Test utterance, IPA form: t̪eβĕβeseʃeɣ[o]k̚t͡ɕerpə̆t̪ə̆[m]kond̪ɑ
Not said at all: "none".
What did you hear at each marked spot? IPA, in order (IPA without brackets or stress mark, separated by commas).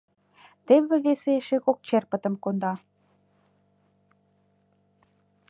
o, m